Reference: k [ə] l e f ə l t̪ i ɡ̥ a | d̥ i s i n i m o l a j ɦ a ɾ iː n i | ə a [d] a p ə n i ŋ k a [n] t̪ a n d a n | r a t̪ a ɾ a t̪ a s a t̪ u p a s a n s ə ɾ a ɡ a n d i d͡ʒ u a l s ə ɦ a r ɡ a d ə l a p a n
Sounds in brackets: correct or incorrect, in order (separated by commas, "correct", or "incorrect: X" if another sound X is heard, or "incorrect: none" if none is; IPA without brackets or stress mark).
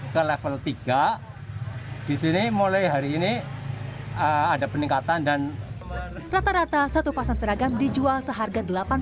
correct, correct, incorrect: none